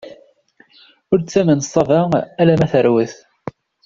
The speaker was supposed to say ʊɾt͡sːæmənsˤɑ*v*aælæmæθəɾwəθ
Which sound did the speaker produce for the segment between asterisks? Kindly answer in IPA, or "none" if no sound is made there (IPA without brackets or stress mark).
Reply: v